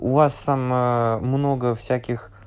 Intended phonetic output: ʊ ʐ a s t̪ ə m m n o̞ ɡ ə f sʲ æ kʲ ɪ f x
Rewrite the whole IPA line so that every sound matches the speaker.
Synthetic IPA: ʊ v a s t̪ a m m n o̞ ɡ ə f sʲ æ kʲ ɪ x

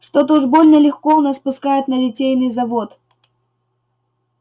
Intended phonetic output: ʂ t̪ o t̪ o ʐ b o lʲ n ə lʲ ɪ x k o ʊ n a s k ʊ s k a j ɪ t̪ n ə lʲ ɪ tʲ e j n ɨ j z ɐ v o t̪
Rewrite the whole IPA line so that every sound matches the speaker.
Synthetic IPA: ʂ t̪ o t̪ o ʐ b o lʲ n ə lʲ ɪ x k o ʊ n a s p ʊ s k a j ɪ t̪ n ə lʲ ɪ tʲ e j n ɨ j z ɐ v o t̪

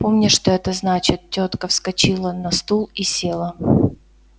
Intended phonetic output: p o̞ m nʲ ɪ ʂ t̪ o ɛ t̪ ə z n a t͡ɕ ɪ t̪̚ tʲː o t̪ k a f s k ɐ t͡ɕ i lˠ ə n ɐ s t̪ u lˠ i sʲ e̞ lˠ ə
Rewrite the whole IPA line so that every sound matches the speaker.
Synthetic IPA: p o̞ m nʲ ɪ ʂ t̪ o ɛ t̪ ə z n a t͡ɕ ɪ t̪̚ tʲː o t̪ k ə f s k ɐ t͡ɕ i lˠ ə n ɐ s t̪ u lˠ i sʲ e̞ lˠ ə

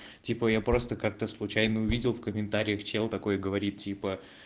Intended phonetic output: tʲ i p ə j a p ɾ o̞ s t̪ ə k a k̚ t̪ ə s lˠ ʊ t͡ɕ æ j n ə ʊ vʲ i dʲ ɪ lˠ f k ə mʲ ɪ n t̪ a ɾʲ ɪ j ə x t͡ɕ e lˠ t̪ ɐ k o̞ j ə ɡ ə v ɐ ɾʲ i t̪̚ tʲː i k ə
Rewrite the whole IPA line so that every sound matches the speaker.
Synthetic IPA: tʲ i p ə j a p ɾ o̞ s t̪ ə k a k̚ t̪ ə s lˠ ʊ t͡ɕ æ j n ə ʊ vʲ i dʲ ɪ lˠ f k ə mʲ ɪ n t̪ a ɾʲ ɪ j ə x t͡ɕ e lˠ t̪ ɐ k o̞ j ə ɡ ə v ɐ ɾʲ i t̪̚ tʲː i p ə

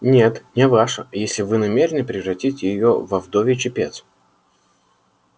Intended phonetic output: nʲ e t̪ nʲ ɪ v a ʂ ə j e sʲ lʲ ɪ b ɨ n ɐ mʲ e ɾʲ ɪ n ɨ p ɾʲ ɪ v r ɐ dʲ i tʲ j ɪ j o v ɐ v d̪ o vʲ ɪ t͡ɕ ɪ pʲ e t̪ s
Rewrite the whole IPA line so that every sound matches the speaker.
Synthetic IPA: nʲ e t̪ nʲ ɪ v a ʂ ə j e sʲ lʲ ɪ v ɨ n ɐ mʲ e ɾʲ ɪ n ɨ p ɾʲ ɪ v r ɐ tʲ i tʲ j ɪ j o v ɐ v d̪ o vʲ ɪ t͡ɕ ɪ pʲ e t̪ s

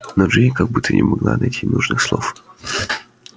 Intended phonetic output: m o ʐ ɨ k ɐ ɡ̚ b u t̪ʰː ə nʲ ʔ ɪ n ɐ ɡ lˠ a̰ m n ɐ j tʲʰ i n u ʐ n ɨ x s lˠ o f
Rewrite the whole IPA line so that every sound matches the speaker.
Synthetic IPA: n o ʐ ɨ k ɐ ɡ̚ b u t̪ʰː ə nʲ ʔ ɪ m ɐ ɡ lˠ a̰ n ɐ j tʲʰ i n u ʐ n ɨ x s lˠ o f

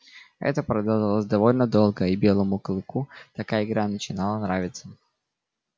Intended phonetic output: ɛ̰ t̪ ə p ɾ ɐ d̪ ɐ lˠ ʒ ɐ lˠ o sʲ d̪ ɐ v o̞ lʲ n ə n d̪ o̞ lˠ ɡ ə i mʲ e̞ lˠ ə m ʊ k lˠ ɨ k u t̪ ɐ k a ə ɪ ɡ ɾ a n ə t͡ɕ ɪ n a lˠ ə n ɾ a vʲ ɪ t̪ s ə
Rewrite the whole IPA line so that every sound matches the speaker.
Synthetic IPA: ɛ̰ t̪ ə p ɾ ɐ d̪ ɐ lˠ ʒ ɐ lˠ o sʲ d̪ ɐ v o̞ lʲ n ə d̪ o̞ lˠ ɡ ə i bʲ e̞ lˠ ə m ʊ k lˠ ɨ k u t̪ ɐ k a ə ɪ ɡ ɾ a n ə t͡ɕ ɪ n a lˠ ə n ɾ a vʲ ɪ t̪ s ə

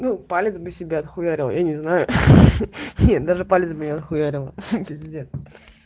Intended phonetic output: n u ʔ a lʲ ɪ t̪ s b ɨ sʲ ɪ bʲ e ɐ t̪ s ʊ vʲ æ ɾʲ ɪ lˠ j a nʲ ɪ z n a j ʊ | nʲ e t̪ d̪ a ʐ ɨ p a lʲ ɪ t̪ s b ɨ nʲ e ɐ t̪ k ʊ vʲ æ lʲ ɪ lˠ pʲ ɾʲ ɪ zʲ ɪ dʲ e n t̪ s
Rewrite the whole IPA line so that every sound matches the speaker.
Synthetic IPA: n u p a lʲ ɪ t̪ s b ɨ sʲ ɪ bʲ e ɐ t̪ x ʊ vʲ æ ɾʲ ɪ lˠ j a nʲ ɪ z n a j ʊ | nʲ e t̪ d̪ a ʐ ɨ p a lʲ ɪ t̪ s b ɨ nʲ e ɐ t̪ x ʊ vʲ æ ɾʲ ɪ lˠ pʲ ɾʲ ɪ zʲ ɪ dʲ e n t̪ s

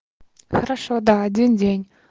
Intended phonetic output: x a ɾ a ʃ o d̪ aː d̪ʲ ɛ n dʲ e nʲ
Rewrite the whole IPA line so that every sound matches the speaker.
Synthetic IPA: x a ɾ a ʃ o d̪ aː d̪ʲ i n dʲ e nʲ

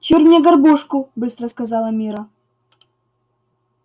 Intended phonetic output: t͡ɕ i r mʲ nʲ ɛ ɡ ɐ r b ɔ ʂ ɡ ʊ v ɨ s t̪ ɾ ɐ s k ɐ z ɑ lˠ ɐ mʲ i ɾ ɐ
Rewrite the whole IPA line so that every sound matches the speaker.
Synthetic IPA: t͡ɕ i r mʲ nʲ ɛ ɡ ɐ r b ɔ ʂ k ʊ b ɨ s t̪ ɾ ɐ s k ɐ z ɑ lˠ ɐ mʲ i ɾ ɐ

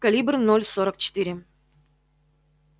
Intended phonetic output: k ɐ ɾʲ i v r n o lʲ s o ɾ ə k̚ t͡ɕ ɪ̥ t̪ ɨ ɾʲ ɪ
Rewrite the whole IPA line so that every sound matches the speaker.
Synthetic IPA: k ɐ lʲ i b r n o lʲ s o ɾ ə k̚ t͡ɕ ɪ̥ t̪ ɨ ɾʲ ɪ

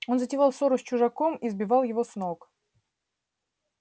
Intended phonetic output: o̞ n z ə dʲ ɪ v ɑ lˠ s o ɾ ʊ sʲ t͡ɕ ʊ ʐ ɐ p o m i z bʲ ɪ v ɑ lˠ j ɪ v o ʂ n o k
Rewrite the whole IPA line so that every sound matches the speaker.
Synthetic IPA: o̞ n z ə tʲ ɪ v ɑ lˠ s o ɾ ʊ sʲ t͡ɕ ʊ ʐ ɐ k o m i z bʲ ɪ v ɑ lˠ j ɪ v o s n o k

